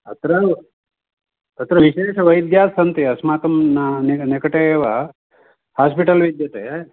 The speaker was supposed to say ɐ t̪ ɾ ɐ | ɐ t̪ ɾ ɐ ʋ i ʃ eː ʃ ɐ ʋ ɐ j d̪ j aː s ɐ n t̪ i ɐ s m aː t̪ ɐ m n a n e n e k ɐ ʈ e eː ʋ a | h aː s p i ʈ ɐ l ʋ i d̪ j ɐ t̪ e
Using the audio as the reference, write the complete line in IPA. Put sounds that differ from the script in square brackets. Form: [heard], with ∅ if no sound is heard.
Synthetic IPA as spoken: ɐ t̪ ɾ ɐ | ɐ t̪ ɾ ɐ ʋ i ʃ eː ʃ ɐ ʋ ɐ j d̪ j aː s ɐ n t̪ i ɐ s m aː t̪ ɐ m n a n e n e k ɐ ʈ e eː ʋ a | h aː s p i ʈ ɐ l ʋ i d̪ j ɐ t̪ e